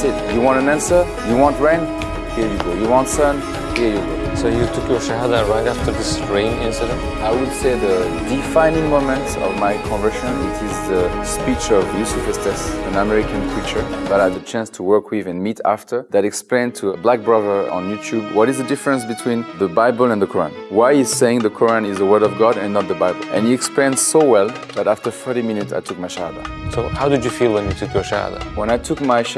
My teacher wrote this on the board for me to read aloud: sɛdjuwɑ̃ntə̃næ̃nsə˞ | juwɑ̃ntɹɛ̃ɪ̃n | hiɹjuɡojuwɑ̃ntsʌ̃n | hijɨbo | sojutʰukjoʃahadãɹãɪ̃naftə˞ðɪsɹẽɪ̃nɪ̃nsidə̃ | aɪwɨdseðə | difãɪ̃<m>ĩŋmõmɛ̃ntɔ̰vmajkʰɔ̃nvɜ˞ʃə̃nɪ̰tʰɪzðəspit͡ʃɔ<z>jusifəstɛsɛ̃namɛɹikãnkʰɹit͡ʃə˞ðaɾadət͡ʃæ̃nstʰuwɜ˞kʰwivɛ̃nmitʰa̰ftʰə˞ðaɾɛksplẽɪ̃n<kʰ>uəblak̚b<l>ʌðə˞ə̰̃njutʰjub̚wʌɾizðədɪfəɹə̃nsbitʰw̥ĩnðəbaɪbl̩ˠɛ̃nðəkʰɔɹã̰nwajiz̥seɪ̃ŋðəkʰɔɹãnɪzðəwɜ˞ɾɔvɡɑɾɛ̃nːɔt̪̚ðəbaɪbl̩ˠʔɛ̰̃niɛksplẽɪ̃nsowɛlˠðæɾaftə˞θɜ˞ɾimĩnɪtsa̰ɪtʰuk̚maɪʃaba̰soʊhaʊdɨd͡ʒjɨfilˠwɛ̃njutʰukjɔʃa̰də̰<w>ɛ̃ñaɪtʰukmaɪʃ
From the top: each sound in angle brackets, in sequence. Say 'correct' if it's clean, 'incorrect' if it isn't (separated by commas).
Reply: incorrect, incorrect, incorrect, incorrect, correct